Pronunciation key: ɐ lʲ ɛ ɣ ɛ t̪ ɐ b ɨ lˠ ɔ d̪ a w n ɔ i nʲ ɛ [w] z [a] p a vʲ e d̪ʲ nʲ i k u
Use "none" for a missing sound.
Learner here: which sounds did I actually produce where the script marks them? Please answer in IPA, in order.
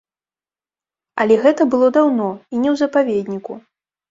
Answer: w, ɐ

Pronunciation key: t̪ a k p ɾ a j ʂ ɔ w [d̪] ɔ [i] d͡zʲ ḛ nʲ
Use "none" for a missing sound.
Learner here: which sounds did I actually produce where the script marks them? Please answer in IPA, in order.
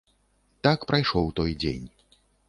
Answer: t̪, j

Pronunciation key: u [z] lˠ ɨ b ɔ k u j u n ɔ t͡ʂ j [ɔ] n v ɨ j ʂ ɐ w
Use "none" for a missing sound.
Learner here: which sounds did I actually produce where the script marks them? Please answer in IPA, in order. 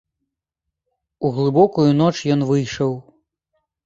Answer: ɣ, ɔ

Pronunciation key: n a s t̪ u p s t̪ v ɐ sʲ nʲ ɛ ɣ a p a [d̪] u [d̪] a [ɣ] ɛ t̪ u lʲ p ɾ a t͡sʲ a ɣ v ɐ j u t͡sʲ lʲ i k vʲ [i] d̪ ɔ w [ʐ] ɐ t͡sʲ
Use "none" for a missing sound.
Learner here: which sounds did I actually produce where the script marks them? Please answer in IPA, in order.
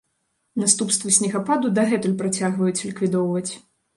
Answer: d̪, d̪, ɣ, i, v

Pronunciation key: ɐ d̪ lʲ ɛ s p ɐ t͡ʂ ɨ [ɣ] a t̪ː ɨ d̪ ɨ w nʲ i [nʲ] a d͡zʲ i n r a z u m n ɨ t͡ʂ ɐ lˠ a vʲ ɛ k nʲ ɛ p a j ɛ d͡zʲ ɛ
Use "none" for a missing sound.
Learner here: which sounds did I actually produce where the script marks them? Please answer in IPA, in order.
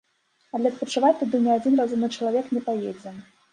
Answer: v, none

